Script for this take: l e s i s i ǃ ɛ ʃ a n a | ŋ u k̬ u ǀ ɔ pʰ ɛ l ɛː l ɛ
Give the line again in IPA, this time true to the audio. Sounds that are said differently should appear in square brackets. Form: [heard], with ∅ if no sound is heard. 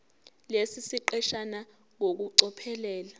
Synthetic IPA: l e s i s i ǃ ɛ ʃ a n a | ŋ [o] k̬ u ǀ ɔ pʰ ɛ l ɛː l [a]